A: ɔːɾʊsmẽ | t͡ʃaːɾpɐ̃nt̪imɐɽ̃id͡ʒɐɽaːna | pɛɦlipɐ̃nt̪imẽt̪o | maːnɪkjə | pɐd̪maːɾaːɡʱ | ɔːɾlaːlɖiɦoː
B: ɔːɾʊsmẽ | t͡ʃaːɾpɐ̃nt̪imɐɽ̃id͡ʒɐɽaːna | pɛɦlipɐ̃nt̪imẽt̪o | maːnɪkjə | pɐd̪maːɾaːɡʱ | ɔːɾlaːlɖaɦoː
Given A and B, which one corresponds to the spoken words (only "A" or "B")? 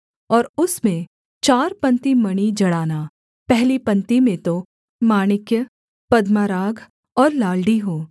A